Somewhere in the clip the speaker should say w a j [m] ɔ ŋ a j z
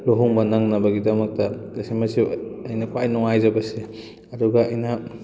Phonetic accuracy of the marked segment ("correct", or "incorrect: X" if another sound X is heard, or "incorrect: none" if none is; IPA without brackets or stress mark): incorrect: n